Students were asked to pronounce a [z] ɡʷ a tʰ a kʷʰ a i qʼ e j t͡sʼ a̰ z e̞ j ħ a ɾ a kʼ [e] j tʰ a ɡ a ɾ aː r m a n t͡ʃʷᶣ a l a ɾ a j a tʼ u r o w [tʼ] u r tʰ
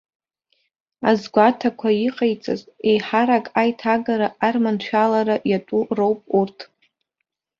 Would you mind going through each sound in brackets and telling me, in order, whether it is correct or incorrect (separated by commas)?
correct, incorrect, incorrect